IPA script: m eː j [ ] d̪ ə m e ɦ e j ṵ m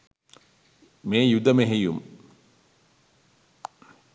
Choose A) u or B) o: A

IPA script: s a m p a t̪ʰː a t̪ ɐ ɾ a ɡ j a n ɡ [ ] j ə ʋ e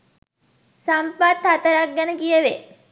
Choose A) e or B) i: B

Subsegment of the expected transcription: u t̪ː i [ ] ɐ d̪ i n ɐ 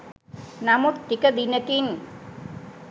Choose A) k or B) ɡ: A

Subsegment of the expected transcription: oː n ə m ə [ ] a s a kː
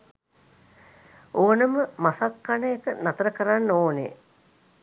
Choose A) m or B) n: A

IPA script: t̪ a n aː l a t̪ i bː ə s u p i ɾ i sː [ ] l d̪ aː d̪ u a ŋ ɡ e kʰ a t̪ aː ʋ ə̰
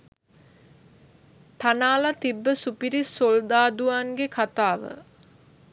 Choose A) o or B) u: A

